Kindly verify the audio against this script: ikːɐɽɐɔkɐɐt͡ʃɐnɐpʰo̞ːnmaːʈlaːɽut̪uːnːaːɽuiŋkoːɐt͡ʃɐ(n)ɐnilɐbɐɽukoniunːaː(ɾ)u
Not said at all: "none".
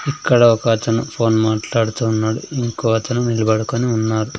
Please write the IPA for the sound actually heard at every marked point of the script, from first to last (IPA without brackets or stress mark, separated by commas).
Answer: n, ɾ